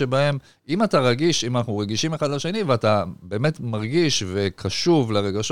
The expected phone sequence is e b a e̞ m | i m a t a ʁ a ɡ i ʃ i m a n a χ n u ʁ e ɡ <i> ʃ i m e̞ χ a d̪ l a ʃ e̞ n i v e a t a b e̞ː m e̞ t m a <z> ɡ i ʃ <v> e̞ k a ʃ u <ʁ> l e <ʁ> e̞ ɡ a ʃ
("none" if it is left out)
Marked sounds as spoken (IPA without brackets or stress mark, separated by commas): i, ʁ, v, v, ʁ